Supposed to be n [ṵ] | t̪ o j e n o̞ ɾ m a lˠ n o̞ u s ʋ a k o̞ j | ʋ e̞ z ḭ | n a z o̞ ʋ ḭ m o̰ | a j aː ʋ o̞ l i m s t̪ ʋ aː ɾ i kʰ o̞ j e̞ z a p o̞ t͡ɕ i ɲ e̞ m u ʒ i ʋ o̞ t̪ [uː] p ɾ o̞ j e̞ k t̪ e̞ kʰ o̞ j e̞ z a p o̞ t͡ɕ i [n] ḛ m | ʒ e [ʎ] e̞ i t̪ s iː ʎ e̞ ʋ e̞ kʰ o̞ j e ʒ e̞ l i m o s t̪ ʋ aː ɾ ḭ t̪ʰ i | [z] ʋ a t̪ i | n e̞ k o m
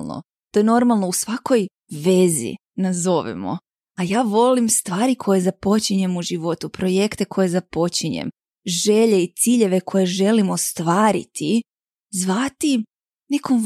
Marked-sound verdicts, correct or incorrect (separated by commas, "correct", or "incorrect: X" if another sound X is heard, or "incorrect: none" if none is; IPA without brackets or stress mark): incorrect: o̰, incorrect: u, incorrect: ɲ, correct, correct